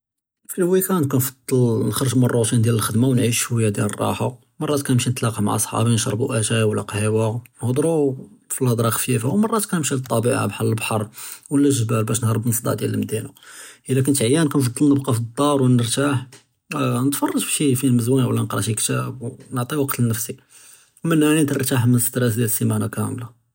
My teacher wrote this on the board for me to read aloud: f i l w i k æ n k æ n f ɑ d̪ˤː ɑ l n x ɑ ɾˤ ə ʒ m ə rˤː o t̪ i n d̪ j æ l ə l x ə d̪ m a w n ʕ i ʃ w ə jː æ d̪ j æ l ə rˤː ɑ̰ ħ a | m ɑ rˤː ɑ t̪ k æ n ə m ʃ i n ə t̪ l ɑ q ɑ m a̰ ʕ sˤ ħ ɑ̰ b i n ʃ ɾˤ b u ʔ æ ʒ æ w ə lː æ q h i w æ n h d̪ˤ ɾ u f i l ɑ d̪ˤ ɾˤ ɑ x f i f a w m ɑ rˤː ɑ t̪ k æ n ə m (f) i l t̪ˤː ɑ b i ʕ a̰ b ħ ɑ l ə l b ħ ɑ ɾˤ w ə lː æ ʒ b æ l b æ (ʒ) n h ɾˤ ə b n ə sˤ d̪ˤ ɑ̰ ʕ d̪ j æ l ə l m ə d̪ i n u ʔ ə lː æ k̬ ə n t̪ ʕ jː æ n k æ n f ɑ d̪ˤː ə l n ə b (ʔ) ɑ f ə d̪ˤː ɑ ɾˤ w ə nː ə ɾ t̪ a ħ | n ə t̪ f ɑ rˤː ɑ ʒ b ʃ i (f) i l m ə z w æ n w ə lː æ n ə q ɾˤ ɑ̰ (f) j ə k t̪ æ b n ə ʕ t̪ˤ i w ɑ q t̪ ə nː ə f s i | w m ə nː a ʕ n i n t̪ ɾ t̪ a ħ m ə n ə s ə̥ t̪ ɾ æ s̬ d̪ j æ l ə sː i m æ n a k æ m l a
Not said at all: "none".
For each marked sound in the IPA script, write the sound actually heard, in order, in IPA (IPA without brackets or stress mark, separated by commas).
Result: ʃ, ʃ, q, f, ʃ